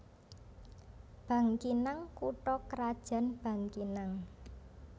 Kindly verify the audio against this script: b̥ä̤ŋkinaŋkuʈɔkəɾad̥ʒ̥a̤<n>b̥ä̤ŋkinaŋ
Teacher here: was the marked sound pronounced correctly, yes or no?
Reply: yes